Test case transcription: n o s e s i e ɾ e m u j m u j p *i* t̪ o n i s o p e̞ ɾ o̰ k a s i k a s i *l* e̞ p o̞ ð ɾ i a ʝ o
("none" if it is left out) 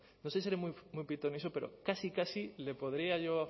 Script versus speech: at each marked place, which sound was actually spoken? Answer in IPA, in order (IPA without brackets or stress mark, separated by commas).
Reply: i, l